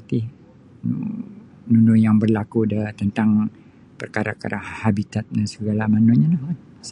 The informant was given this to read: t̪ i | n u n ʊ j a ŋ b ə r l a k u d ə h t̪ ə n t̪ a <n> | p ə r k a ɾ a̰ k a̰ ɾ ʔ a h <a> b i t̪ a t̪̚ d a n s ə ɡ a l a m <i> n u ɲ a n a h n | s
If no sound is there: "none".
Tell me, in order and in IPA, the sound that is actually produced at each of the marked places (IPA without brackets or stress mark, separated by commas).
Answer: ŋ, a, a